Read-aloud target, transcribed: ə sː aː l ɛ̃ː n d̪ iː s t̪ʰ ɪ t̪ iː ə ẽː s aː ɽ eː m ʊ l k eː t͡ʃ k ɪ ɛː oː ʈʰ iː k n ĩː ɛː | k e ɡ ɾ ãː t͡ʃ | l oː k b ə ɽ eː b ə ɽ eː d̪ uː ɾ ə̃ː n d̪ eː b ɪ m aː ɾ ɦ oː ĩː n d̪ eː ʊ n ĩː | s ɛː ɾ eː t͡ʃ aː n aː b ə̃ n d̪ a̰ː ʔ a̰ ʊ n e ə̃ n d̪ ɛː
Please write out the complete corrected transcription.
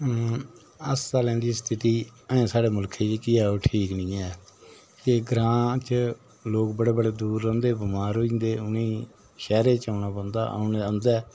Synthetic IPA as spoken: ə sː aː l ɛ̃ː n d̪ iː s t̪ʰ ɪ t̪ iː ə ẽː s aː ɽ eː m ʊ l kʰ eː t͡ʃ k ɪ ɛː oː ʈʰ iː k n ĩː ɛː | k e ɡ ɾ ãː t͡ʃ | l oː k b ə ɽ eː b ə ɽ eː d̪ uː ɾ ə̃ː n d̪ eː b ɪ m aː ɾ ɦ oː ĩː n d̪ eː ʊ n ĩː | ʃ ɛː ɾ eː t͡ʃ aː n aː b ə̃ n d̪ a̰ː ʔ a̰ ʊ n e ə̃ n d̪ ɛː